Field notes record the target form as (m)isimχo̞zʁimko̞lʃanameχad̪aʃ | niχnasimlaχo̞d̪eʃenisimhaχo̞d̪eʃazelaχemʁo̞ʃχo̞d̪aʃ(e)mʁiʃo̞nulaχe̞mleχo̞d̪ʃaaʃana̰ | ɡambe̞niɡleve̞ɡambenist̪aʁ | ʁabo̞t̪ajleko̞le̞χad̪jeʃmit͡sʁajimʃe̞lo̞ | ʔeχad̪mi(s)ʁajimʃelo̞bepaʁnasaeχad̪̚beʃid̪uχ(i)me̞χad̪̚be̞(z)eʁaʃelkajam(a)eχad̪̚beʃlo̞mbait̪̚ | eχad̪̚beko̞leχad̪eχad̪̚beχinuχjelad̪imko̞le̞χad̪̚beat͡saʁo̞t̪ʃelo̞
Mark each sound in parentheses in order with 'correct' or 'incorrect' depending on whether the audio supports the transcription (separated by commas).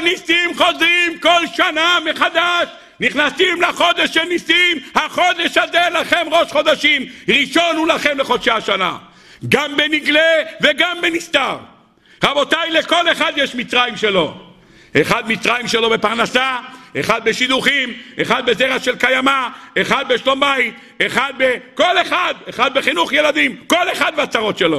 incorrect, incorrect, incorrect, correct, correct, correct